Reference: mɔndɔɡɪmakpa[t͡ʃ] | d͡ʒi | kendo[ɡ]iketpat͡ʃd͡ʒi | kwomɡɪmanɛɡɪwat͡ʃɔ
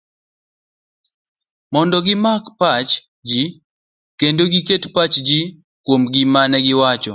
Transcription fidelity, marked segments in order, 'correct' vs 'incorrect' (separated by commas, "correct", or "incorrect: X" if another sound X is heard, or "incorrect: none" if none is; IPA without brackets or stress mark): correct, correct